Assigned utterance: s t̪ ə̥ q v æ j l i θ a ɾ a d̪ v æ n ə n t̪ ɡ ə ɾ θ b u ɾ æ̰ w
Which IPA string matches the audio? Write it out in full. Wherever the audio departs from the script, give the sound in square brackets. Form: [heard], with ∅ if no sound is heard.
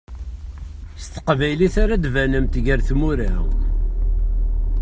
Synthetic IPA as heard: s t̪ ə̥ q v æ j l i θ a ɾ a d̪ v æ n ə [m] t̪ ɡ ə ɾ θ [m] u ɾ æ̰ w